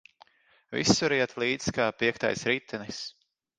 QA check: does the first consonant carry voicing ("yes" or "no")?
yes